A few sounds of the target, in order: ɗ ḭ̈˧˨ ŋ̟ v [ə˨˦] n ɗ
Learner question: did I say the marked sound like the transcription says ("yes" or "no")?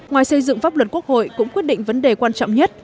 yes